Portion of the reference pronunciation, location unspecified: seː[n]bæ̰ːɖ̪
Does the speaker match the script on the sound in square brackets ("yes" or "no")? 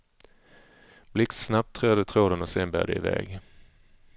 yes